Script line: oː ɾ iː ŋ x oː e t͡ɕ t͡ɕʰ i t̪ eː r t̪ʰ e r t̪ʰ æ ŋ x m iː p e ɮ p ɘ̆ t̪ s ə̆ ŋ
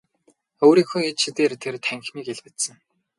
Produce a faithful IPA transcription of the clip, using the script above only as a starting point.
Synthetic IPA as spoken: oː ɾ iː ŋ x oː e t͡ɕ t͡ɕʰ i t̪ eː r t̪ʰ e r t̪ʰ æ ŋ x m iː k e ɮ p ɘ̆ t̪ s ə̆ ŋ